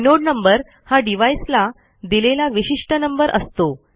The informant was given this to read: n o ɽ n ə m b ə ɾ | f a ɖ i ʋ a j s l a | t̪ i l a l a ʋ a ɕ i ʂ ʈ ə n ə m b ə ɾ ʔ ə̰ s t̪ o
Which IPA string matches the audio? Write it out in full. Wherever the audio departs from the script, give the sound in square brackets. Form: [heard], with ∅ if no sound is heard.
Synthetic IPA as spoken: n o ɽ n ə m b ə ɾ | [h] a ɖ i ʋ a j s l a | [d̪] i l [e] l a ʋ [i] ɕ i ʂ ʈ ə n ə m b ə ɾ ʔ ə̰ s t̪ o